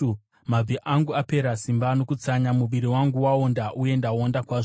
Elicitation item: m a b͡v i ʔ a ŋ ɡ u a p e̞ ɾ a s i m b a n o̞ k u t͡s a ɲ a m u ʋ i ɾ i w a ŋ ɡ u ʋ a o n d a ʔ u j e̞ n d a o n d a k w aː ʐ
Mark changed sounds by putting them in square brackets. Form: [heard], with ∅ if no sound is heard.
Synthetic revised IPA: m a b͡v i ʔ a ŋ ɡ u a p e̞ ɾ a s i m b a n o̞ k u t͡s a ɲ a m u ʋ i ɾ i w a ŋ ɡ u [w] a o n d a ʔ u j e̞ n d a o n d a k w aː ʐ